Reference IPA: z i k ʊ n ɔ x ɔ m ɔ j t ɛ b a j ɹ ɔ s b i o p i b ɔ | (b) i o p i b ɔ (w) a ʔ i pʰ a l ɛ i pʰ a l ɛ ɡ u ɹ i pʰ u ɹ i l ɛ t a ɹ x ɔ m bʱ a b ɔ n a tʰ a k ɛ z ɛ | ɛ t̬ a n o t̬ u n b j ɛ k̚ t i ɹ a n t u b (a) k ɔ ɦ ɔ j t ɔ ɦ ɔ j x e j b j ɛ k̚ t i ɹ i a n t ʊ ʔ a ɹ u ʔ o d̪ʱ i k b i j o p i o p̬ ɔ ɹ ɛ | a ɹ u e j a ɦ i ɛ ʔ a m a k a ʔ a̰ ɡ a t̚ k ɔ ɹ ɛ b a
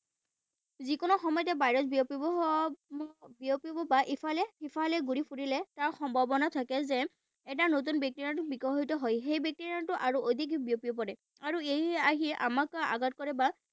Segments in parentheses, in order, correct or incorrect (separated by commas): correct, incorrect, incorrect